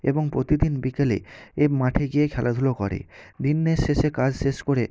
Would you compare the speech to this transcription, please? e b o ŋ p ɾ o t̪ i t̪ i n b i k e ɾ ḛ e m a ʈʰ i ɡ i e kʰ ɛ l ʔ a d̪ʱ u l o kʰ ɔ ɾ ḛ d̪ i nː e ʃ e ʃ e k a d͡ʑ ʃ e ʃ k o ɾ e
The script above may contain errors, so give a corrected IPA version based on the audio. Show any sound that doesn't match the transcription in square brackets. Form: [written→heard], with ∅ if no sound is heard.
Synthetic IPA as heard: e b o ŋ p ɾ o t̪ i [t̪→d̪] i n b i k e [ɾ→l] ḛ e m a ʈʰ [i→e] ɡ i e kʰ ɛ l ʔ a d̪ʱ u l o [kʰ→k] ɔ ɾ ḛ d̪ i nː e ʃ e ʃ e k a d͡ʑ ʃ e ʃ k o ɾ e